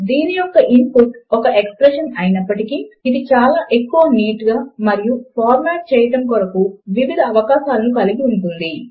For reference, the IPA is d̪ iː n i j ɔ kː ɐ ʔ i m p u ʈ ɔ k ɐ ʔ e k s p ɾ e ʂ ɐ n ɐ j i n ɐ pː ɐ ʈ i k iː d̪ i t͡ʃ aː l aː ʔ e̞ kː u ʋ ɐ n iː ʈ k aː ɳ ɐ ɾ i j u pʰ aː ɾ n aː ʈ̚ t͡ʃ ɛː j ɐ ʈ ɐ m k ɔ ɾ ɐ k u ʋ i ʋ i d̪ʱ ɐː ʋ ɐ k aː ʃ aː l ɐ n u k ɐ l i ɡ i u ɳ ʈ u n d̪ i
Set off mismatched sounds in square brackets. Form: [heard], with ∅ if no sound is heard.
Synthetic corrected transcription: d̪ iː n i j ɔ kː ɐ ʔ i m p u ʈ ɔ k ɐ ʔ e k s p ɾ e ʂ ɐ n ɐ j i n ɐ pː ɐ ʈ i k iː d̪ i t͡ʃ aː l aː ʔ e̞ kː u ʋ ɐ n iː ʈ [ɡ] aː [m] ɐ ɾ i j u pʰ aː ɾ [m] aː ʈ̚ t͡ʃ ɛː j ɐ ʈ ɐ m k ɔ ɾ ɐ k u ʋ i ʋ i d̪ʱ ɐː ʋ ɐ k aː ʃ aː l ɐ n u k ɐ l i ɡ i u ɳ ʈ u n d̪ i